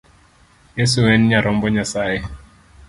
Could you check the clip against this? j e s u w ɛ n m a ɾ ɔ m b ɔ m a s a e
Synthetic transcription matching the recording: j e s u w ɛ n ɲ a ɾ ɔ m b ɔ ɲ a s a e